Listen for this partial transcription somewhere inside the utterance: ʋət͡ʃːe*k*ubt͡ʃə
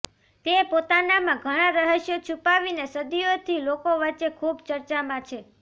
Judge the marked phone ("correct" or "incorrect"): incorrect